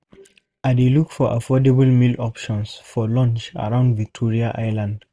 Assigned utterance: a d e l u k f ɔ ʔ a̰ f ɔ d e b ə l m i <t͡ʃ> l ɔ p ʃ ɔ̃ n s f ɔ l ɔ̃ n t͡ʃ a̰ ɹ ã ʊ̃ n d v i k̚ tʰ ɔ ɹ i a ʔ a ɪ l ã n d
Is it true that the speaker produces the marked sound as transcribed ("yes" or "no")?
no